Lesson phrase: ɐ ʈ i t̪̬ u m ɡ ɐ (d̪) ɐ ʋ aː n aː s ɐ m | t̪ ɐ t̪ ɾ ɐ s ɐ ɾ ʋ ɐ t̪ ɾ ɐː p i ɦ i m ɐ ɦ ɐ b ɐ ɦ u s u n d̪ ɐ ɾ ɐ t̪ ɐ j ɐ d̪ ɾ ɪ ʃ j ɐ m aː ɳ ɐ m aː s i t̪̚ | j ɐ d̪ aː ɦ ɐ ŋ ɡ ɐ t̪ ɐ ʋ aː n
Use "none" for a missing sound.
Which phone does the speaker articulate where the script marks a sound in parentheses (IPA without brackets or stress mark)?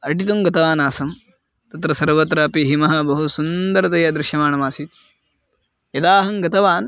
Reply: t̪